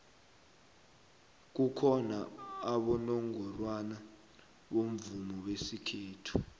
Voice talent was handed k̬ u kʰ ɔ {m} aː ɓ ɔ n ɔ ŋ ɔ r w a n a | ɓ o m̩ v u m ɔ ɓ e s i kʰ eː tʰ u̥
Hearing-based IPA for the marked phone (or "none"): n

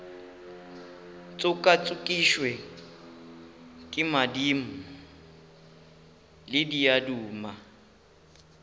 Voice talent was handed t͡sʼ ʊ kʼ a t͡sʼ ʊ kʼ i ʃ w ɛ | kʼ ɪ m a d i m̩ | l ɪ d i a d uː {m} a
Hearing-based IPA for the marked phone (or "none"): m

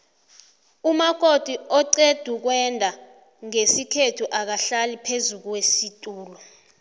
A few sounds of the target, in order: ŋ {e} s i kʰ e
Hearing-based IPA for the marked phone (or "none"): e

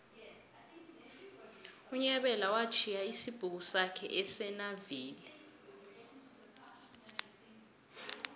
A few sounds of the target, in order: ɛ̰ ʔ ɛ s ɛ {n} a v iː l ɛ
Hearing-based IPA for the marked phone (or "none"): n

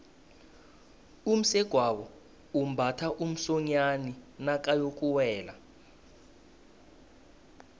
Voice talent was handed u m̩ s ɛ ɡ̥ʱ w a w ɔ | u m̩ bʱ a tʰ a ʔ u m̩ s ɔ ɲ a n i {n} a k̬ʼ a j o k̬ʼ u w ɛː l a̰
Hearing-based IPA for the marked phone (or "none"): n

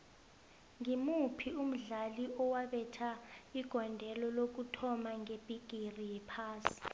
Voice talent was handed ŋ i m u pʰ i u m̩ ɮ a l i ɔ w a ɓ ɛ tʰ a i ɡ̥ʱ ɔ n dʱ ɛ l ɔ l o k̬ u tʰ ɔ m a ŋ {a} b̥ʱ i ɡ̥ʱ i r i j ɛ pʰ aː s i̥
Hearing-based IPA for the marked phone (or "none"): e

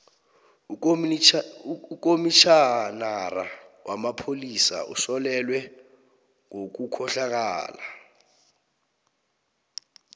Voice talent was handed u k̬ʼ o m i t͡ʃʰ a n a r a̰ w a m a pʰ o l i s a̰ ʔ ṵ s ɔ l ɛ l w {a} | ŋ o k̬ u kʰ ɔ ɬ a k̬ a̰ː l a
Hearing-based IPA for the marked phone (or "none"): ɛ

